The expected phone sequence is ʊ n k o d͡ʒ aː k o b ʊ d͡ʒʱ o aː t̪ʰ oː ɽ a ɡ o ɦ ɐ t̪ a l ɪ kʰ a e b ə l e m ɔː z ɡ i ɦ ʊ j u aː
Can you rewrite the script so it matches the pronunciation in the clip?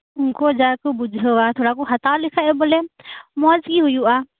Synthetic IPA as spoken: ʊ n k o d͡ʒ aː k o b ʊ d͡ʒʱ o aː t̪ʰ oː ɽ a k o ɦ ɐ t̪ a l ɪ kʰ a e b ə l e m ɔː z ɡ i ɦ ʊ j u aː